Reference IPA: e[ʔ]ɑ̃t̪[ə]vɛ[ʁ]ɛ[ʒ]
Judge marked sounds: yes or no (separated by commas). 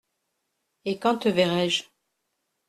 no, yes, yes, yes